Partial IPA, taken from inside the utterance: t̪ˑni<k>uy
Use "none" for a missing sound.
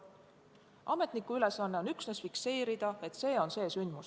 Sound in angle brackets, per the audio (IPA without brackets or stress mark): k